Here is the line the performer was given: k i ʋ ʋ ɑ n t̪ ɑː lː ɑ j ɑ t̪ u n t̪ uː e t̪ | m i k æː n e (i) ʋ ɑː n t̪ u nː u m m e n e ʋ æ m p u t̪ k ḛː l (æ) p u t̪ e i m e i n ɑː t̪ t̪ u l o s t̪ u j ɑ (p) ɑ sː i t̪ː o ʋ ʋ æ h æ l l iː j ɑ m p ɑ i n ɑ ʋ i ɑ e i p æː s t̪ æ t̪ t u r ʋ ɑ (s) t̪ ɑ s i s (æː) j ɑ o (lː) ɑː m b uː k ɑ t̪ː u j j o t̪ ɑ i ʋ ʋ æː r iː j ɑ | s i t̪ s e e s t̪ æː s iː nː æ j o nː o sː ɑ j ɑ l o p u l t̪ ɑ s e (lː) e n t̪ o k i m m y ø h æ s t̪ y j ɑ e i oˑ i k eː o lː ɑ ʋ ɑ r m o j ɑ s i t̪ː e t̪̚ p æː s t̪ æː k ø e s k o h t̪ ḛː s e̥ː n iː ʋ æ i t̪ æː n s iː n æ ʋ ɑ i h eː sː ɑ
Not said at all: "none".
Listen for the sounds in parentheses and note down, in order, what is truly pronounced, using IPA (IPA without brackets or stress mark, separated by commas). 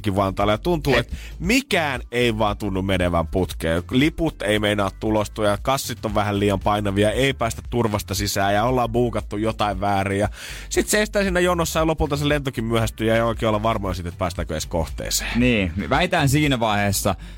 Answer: i, i, k, s, æː, lː, l